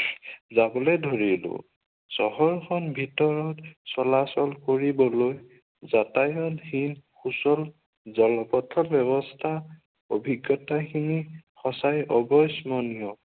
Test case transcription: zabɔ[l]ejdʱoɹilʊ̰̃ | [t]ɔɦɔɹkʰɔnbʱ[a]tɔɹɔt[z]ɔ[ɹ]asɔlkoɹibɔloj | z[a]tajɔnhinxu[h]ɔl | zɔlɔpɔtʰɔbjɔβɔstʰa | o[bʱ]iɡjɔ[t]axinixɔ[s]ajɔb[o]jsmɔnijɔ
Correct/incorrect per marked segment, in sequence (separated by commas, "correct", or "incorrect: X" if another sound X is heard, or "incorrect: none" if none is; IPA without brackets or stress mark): correct, incorrect: s, incorrect: i, incorrect: s, incorrect: l, correct, incorrect: s, correct, correct, correct, incorrect: ɔ